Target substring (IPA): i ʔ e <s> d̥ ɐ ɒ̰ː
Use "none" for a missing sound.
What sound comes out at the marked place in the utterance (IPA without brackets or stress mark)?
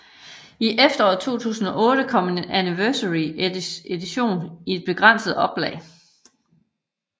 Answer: f